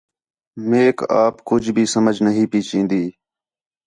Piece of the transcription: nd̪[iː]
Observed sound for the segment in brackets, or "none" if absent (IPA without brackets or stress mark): iː